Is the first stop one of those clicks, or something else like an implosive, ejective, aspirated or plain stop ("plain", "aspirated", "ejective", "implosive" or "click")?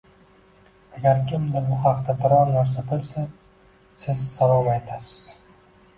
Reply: plain